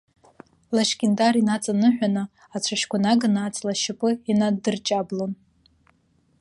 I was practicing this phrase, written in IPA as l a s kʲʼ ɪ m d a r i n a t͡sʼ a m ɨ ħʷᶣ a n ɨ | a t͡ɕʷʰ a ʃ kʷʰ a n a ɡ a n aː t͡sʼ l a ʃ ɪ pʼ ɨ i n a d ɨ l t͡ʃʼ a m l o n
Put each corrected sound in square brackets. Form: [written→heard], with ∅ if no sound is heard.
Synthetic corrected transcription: l a [s→ʃ] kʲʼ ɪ [m→n] d a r i n a t͡sʼ a [m→n] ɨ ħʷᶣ a n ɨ | a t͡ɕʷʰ a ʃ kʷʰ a n a ɡ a n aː t͡sʼ l a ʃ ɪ pʼ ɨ i n a d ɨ [l→r] t͡ʃʼ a [m→b] l o n